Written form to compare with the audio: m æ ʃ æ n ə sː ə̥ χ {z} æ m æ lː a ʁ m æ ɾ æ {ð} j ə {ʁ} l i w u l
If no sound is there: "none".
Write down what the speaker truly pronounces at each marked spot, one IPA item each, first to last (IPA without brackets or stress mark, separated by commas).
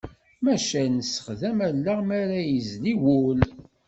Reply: ð, none, z